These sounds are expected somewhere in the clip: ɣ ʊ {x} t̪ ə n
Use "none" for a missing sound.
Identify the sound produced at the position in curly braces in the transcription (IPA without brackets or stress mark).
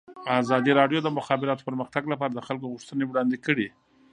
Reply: ʂ